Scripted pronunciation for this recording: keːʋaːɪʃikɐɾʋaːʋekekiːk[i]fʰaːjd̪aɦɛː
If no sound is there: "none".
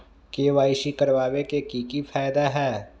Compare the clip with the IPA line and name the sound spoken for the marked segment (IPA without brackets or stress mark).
i